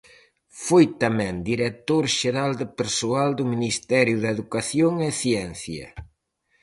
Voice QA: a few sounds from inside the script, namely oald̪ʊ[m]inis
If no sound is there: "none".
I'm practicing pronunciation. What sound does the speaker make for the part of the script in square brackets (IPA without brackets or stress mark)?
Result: m